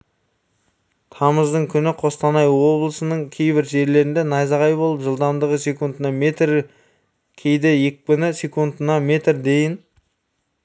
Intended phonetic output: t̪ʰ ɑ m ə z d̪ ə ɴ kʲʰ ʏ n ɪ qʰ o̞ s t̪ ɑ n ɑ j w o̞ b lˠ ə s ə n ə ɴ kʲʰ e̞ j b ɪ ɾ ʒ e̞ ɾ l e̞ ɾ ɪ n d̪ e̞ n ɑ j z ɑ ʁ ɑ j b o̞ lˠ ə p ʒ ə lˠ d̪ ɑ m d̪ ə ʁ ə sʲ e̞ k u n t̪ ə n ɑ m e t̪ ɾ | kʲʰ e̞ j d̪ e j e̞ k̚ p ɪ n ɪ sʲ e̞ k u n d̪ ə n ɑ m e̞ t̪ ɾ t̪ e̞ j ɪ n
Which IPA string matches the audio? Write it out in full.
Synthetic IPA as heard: t̪ʰ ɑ m ə z d̪ ə ɴ kʲʰ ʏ n ɪ qʰ o̞ s t̪ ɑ n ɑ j w o̞ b lˠ ə s ə n ə ɴ kʲʰ e̞ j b ɪ ɾ ʒ e̞ ɾ l e̞ ɾ ɪ n d̪ e̞ n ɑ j z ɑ ʁ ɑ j b o̞ lˠ ə p ʒ ə lˠ d̪ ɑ m d̪ ə ʁ ə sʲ e̞ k u n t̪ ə n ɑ m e t̪ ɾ | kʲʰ e̞ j d̪ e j e̞ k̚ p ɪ n ɪ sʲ e̞ k u n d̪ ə n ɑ m e̞ t̪ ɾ d̪ e̞ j ɪ n